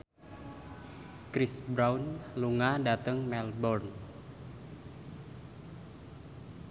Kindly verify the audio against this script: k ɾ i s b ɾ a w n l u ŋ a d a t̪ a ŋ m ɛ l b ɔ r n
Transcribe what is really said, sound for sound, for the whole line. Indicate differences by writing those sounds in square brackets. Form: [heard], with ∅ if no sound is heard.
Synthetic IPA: k ɾ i s b ɾ a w n l u ŋ a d a t̪ [ə] ŋ m ɛ l b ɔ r n